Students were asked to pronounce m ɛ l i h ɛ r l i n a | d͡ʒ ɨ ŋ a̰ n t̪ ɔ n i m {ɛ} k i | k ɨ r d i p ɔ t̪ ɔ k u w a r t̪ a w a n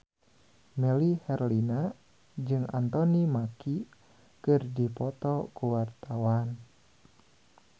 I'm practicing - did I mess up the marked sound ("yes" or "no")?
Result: yes